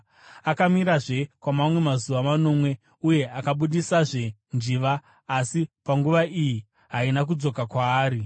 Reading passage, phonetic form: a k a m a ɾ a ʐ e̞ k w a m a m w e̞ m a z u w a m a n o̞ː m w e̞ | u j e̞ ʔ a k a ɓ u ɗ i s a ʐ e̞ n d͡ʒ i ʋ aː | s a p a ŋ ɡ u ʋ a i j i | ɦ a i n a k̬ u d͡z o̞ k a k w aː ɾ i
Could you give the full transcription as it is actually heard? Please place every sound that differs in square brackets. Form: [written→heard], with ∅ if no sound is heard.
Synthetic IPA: a k a m [a→i] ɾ a ʐ e̞ k w a m a m w e̞ m a z u [w→ʋ] a m a n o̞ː m w e̞ | u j e̞ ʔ a k a ɓ u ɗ i s a ʐ e̞ n d͡ʒ i ʋ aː | s [a→i] p a ŋ ɡ u ʋ a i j i | ɦ a i n a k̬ u d͡z o̞ k a k w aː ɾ i

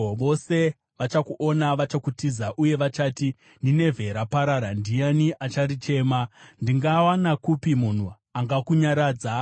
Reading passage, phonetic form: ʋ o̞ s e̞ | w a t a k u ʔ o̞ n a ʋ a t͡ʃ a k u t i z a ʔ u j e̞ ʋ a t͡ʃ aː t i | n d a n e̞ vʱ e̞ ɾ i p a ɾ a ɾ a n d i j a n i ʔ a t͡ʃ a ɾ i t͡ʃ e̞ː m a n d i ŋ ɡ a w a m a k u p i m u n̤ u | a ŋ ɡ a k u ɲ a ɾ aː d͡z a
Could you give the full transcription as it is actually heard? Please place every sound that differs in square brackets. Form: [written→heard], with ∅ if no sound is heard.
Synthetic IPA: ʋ o̞ s e̞ | [w→ʋ] a [t→t͡ʃ] a k u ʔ o̞ n a ʋ a t͡ʃ a k u t i z a ʔ u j e̞ ʋ a t͡ʃ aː t i | n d [a→i] n e̞ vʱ e̞ ɾ [i→a] p a ɾ a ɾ a n d i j a n i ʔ a t͡ʃ a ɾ i t͡ʃ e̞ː m a n d i ŋ ɡ a w a [m→n] a k u p i m u n̤ u | a ŋ ɡ a k u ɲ a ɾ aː d͡z a

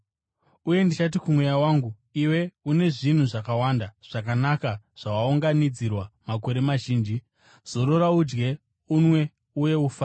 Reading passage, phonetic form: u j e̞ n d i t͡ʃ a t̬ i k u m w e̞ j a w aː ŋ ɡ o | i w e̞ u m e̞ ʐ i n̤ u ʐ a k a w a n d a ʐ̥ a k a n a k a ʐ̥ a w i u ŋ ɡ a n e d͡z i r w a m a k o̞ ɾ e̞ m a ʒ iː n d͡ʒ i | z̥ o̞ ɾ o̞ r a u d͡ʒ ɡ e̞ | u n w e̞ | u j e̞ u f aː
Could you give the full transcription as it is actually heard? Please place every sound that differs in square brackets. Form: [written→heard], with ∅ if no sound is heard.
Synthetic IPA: u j e̞ n d i t͡ʃ a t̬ i k u m w e̞ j a w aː ŋ ɡ [o→u] | i w e̞ u [m→n] e̞ ʐ i n̤ u ʐ a k a w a n d a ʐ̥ a k a n a k a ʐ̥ a w [i→a] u ŋ ɡ a n [e→i] d͡z i r w a m a k o̞ ɾ e̞ m a ʒ iː n d͡ʒ i | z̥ o̞ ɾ o̞ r a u d͡ʒ ɡ e̞ | u n w e̞ | u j e̞ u f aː

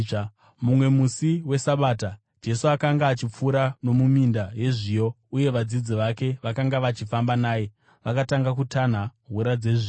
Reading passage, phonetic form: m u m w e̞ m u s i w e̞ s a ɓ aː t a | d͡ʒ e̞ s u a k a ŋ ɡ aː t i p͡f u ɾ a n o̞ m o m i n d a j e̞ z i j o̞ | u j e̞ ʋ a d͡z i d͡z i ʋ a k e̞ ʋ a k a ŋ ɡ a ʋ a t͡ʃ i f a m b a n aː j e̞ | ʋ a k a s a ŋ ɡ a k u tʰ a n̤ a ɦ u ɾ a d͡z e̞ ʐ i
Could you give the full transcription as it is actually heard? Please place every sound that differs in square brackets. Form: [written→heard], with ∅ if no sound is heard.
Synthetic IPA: m u m w e̞ m u s i w e̞ s a ɓ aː t a | d͡ʒ e̞ s u a k a ŋ ɡ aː [t→t͡ʃ] i p͡f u ɾ a n o̞ m [o→u] m i n d a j e̞ [z→ʐ] i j o̞ | u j e̞ ʋ a d͡z i d͡z i ʋ a k e̞ ʋ a k a ŋ ɡ a ʋ a t͡ʃ i f a m b a n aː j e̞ | ʋ a k a [s→t] a ŋ ɡ a k u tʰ a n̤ a ɦ u ɾ a d͡z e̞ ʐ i

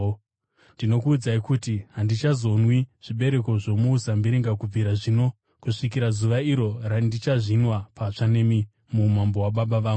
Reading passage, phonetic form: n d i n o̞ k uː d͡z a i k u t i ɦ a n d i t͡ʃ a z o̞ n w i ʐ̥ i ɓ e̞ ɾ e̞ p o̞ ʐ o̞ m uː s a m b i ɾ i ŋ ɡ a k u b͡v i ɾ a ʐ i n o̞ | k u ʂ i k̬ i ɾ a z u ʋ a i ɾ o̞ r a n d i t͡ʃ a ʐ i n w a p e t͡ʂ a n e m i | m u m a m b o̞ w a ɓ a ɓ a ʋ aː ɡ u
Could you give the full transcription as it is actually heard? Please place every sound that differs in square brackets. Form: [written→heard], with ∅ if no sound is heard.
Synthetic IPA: n d i n o̞ k uː d͡z a i k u t i ɦ a n d i t͡ʃ a z o̞ n w i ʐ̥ i ɓ e̞ ɾ e̞ [p→k] o̞ ʐ o̞ m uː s a m b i ɾ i ŋ ɡ a k u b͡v i ɾ a ʐ i n o̞ | k u ʂ i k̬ i ɾ a z u ʋ a i ɾ o̞ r a n d i t͡ʃ a ʐ i n w a p [e→a] t͡ʂ a n e m i | m u m a m b o̞ w a ɓ a ɓ a ʋ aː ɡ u

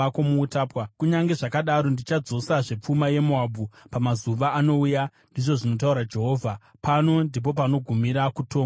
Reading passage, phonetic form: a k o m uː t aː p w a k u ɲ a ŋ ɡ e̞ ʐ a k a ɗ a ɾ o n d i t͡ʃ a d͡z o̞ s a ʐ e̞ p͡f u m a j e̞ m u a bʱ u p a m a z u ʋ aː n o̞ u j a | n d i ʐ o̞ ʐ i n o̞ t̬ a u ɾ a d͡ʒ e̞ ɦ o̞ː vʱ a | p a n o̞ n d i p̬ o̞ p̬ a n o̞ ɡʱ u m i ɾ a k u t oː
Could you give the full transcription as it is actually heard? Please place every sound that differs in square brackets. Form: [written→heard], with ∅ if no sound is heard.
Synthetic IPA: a k o m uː t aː p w a k u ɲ a ŋ ɡ e̞ ʐ a k a ɗ a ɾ o n d i t͡ʃ a d͡z o̞ s a ʐ e̞ p͡f u m a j e̞ m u a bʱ u p a m a z u ʋ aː n o̞ u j a | n d i ʐ o̞ ʐ i n o̞ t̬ a u ɾ a d͡ʒ e̞ ɦ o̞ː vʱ a | p a n o̞ n d i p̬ o̞ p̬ a n o̞ ɡʱ u m i ɾ a k u t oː

